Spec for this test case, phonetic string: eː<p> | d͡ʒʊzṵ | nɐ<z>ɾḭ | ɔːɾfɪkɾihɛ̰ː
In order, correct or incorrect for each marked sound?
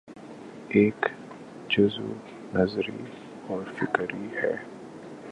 incorrect: k, correct

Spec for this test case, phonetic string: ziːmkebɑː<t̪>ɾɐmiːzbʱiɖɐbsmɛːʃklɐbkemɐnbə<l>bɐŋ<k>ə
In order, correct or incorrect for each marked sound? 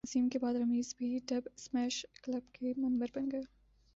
incorrect: d̪, incorrect: ɾ, incorrect: ɡ

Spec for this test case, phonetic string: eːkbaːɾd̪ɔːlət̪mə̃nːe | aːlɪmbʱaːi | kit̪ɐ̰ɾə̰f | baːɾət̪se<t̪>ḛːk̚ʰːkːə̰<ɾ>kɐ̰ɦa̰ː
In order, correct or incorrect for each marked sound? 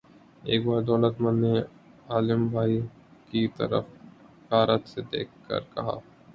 incorrect: d̪, correct

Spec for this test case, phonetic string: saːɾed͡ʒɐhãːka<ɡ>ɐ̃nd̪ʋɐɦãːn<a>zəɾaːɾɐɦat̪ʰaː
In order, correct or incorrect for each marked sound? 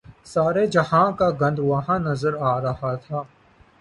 correct, incorrect: ɐ

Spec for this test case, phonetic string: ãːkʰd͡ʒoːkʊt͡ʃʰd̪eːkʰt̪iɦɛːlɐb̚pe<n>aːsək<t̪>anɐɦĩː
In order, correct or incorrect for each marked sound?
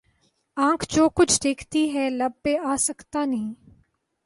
incorrect: none, correct

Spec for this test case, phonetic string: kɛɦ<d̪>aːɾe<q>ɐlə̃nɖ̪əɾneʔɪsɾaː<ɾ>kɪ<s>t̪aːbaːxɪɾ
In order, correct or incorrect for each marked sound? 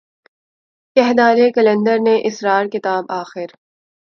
correct, incorrect: k, correct, incorrect: none

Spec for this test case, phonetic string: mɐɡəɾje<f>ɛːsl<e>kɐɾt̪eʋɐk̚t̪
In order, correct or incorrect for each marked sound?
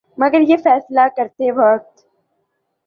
correct, incorrect: a

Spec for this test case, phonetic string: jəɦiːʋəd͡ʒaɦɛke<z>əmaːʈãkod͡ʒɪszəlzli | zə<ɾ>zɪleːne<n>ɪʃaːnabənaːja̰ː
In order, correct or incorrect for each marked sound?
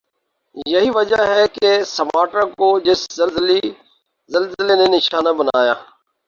incorrect: s, incorrect: l, correct

